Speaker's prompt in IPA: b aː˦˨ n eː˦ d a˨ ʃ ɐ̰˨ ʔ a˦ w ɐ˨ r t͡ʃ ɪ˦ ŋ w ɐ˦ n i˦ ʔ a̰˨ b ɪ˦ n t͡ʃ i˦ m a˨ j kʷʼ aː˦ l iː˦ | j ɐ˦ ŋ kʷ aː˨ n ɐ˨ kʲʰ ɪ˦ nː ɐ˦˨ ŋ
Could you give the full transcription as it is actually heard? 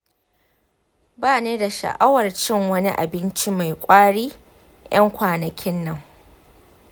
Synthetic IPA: b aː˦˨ n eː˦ d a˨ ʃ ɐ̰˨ ʔ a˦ w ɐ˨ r t͡ʃ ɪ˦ ŋ w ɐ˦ n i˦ ʔ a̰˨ b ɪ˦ n t͡ʃ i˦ m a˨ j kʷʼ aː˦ ɽ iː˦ | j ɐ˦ ŋ kʷ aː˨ n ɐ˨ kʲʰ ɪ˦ nː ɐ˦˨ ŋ